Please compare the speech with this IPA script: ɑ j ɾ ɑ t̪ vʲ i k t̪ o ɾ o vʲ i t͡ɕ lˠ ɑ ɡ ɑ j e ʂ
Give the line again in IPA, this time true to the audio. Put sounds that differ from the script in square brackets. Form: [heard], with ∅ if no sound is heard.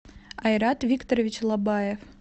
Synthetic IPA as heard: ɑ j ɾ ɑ t̪ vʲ i k t̪ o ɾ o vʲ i t͡ɕ lˠ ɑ [b] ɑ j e [f]